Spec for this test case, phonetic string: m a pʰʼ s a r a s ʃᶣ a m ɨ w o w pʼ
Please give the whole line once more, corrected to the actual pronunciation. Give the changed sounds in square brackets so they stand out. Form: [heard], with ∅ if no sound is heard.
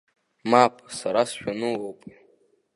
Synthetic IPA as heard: m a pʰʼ s a [ɾ] a s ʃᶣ a [n] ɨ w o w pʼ